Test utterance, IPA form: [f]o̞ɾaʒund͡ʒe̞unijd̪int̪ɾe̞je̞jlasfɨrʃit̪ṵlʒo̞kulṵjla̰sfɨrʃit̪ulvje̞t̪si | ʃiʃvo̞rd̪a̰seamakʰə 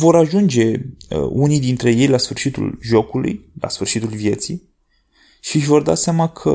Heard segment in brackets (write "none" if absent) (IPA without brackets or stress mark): v